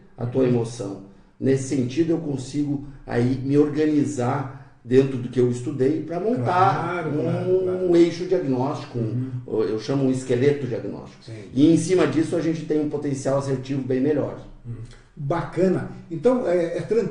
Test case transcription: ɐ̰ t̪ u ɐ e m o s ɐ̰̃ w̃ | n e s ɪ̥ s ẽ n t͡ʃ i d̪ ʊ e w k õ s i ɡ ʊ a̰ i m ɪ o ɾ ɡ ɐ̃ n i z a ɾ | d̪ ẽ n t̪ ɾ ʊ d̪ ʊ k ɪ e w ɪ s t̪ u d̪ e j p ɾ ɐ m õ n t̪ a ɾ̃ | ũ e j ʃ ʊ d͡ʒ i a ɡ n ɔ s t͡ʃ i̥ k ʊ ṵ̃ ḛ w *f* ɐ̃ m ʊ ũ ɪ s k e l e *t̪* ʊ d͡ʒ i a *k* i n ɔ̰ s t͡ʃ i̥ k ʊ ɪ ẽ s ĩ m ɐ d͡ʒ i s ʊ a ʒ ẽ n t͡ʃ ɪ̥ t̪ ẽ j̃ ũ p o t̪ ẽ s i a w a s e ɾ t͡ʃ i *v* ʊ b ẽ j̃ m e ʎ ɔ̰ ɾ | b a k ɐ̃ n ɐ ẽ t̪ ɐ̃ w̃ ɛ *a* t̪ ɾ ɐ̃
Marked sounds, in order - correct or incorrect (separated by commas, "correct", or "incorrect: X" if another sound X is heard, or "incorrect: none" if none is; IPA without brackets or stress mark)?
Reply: incorrect: ʃ, correct, incorrect: ɡ, correct, incorrect: ɛ